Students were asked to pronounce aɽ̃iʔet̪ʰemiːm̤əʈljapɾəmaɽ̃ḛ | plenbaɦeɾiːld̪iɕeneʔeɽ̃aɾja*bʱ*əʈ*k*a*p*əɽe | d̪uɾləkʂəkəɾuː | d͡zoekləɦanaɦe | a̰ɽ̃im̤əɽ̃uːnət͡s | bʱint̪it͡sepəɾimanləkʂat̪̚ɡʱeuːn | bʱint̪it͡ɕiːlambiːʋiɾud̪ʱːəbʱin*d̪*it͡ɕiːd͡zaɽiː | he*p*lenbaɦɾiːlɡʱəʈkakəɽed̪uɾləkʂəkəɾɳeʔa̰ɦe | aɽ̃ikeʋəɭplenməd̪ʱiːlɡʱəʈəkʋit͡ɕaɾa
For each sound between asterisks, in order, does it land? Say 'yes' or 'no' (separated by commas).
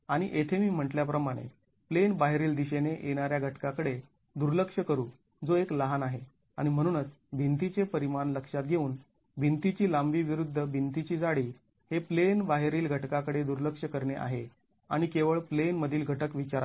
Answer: no, yes, no, no, yes